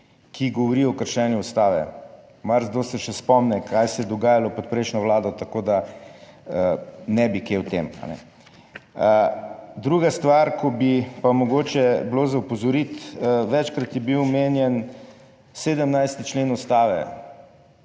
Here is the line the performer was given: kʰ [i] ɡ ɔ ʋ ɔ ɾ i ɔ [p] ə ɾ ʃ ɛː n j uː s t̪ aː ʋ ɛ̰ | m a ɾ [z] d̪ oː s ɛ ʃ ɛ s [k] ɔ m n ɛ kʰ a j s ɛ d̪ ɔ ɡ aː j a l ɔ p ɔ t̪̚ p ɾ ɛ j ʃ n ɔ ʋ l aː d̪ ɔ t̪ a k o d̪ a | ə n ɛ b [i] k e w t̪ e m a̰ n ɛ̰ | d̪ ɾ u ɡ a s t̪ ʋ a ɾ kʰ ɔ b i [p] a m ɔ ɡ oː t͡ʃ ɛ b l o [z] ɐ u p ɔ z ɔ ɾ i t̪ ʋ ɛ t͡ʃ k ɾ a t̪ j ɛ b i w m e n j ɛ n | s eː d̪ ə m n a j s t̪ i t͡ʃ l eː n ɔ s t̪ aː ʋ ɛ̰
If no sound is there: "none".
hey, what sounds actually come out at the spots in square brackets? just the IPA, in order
i, k, z, p, i, p, z

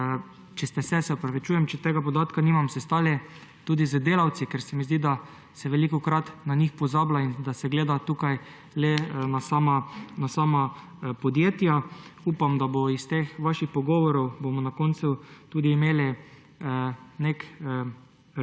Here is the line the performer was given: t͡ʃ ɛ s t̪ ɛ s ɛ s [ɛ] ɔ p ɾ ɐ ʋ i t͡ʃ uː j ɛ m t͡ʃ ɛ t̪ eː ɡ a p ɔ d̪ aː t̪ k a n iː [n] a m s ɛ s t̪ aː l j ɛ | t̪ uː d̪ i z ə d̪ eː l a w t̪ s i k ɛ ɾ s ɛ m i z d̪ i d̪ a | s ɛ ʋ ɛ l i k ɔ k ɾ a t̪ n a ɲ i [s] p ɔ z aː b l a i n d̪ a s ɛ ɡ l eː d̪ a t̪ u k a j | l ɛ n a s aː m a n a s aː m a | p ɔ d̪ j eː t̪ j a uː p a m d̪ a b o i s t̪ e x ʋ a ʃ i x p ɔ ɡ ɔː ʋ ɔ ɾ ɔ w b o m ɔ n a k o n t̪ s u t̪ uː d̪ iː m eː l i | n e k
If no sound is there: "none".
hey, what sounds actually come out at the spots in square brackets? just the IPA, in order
ɛ, m, x

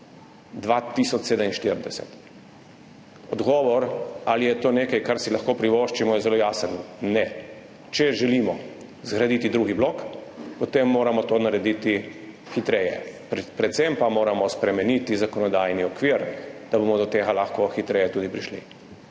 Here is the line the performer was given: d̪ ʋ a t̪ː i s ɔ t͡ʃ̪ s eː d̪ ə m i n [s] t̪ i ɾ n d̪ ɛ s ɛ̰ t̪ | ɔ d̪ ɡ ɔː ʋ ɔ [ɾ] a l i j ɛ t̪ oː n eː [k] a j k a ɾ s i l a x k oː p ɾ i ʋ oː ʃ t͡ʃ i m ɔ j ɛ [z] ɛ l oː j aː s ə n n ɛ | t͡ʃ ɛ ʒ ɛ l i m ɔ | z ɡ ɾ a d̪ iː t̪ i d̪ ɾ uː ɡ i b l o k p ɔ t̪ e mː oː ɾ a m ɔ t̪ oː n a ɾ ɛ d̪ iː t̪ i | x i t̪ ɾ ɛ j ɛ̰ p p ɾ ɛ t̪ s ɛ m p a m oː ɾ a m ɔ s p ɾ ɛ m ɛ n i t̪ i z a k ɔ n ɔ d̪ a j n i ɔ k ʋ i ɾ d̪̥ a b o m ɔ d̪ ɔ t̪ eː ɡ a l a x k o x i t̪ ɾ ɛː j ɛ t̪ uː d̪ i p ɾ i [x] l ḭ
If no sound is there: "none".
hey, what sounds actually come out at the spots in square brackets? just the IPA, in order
ʃ, ɾ, k, z, ʃ

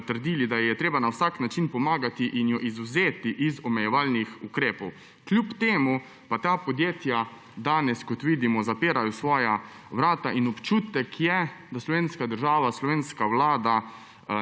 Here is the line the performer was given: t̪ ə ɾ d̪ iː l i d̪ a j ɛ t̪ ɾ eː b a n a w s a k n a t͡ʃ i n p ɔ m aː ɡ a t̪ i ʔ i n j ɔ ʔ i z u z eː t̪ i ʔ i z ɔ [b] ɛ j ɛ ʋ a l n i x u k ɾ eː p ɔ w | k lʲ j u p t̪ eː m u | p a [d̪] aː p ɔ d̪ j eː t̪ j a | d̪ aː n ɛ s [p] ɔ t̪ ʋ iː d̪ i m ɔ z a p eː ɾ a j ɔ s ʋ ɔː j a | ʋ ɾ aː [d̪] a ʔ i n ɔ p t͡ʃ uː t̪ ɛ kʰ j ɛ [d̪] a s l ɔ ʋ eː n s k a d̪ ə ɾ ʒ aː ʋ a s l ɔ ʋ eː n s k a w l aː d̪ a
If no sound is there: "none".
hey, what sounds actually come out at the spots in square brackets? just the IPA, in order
m, t̪, k, t̪, d̪

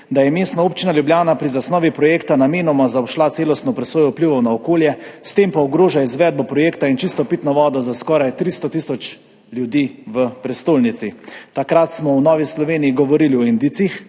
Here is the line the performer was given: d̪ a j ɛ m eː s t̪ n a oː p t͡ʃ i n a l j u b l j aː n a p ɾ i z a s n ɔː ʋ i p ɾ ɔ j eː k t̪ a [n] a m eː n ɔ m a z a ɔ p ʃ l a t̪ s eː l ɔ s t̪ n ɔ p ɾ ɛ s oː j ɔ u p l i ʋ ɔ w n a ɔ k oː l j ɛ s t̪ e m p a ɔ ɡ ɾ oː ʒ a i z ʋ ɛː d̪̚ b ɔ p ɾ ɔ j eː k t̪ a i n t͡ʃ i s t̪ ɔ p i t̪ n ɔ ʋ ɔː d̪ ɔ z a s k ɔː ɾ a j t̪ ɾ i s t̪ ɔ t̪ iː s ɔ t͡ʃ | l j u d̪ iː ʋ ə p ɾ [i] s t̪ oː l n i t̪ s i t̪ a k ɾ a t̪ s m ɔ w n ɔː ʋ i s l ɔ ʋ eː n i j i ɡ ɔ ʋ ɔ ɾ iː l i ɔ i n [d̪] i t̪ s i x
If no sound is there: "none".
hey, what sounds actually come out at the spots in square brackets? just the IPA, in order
n, ɛ, d̪

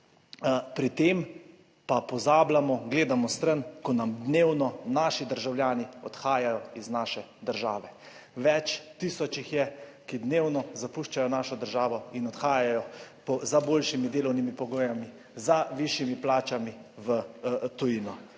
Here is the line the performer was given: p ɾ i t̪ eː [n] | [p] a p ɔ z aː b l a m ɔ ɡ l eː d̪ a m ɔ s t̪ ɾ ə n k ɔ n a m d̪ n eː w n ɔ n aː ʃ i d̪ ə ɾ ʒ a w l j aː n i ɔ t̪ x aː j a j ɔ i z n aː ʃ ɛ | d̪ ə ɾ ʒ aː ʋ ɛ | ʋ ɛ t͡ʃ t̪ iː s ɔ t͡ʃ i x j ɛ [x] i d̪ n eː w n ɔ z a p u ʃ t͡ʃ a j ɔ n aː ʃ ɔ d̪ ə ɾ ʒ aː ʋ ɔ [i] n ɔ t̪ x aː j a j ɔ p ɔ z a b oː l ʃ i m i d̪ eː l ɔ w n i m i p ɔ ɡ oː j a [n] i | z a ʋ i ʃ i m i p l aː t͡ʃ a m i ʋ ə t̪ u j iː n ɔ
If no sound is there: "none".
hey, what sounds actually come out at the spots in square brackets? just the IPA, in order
m, p, k, i, m

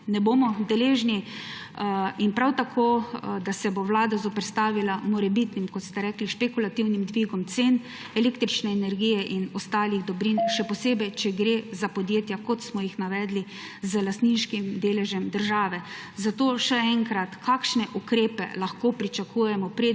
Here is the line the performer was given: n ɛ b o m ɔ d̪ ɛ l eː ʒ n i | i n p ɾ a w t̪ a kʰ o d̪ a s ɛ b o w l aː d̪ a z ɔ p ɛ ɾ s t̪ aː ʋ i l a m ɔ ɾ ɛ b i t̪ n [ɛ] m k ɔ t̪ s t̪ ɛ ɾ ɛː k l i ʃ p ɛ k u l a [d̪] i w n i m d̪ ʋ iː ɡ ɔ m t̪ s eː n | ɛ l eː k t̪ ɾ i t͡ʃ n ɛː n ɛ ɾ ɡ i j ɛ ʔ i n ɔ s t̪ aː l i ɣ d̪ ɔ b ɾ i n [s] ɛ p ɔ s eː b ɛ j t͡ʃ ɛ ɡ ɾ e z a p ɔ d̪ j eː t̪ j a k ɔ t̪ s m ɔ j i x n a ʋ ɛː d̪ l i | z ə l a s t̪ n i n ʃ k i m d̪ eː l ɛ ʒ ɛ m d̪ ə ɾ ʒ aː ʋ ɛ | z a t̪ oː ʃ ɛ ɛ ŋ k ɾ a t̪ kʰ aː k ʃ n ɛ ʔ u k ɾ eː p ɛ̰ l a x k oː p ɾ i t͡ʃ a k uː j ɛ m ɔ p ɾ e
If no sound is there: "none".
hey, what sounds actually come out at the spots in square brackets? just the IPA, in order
i, t̪, ʃ

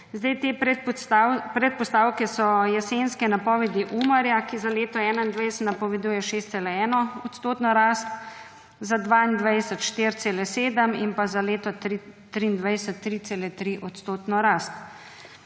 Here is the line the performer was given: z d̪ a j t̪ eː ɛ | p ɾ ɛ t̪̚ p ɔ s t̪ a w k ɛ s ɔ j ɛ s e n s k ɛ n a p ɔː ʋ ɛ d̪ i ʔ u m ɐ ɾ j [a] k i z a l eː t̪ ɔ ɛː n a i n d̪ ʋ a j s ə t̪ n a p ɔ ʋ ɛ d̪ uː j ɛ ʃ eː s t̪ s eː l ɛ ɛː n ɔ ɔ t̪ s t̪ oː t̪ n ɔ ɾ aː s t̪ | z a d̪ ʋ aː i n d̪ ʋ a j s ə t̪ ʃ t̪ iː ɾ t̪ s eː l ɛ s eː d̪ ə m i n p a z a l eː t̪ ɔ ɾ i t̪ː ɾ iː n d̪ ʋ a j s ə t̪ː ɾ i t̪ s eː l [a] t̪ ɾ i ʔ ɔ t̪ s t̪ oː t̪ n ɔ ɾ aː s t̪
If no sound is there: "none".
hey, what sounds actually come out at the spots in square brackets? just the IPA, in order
a, ɛ

